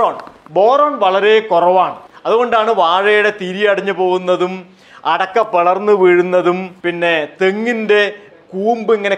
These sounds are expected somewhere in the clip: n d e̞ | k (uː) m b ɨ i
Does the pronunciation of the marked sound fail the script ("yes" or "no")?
no